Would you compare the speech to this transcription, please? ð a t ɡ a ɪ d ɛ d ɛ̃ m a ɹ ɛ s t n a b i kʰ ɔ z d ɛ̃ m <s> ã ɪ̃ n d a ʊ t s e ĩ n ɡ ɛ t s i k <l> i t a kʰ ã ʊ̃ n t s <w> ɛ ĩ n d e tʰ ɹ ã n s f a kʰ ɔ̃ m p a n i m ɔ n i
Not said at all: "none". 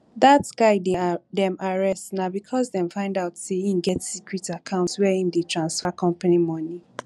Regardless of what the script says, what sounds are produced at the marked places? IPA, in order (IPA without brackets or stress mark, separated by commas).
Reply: f, ɹ, w